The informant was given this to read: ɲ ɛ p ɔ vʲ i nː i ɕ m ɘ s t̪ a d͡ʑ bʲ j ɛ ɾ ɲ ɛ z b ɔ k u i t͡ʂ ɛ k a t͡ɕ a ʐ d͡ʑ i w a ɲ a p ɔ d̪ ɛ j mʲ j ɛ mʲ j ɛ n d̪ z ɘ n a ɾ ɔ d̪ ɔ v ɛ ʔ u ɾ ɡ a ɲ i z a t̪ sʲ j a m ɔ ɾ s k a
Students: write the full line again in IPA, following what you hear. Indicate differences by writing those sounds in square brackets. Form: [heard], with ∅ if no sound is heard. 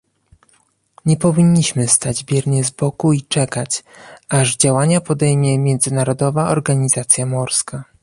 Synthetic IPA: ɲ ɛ p ɔ vʲ i [ɲː] i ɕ m ɘ s t̪ a d͡ʑ bʲ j ɛ ɾ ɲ ɛ z b ɔ k u i t͡ʂ ɛ k a t͡ɕ a ʐ d͡ʑ [a] w a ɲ a p ɔ d̪ ɛ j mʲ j ɛ mʲ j ɛ n d̪ z ɘ n a ɾ ɔ d̪ ɔ v [a] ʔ [ɔ] ɾ ɡ a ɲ i z a t̪ sʲ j a m ɔ ɾ s k a